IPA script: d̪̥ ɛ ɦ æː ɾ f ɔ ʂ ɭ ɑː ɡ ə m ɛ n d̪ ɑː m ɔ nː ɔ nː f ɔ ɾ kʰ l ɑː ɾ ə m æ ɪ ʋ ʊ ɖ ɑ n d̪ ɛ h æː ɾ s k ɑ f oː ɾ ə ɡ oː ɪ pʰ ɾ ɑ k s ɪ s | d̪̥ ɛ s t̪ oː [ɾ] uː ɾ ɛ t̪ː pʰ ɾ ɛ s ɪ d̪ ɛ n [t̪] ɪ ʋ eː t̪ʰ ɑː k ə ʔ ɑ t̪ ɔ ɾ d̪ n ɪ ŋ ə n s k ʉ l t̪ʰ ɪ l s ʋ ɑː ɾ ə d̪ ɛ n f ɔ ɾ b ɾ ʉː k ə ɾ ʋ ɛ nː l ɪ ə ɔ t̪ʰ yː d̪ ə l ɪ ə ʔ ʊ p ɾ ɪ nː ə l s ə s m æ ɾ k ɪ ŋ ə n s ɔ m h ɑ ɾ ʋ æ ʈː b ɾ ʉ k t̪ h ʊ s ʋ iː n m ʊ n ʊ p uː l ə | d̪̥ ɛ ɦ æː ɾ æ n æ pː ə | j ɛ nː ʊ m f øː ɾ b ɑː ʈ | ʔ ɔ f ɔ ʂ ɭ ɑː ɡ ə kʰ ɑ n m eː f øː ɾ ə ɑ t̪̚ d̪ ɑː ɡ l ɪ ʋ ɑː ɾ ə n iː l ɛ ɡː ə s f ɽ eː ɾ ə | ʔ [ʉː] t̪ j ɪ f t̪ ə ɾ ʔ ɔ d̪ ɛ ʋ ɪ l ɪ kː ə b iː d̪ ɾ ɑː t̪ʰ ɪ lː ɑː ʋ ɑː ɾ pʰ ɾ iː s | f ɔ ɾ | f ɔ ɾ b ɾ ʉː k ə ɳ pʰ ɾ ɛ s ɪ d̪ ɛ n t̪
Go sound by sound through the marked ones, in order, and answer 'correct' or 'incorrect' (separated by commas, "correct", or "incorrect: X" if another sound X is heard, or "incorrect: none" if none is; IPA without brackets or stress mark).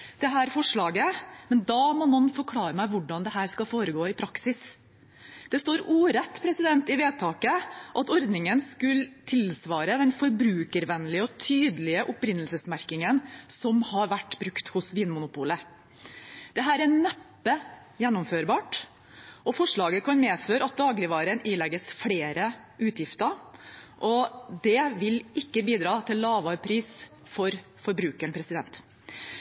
correct, correct, correct